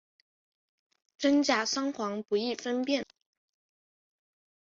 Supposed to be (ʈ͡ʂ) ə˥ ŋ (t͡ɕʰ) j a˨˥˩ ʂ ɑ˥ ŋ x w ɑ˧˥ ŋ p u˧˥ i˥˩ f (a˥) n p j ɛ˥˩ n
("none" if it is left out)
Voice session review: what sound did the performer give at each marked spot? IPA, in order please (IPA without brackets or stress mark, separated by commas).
ʈ͡ʂ, t͡ɕ, ə˥